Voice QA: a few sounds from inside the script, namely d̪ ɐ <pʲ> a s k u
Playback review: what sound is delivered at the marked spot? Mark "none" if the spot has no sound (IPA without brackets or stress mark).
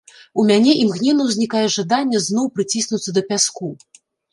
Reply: pʲ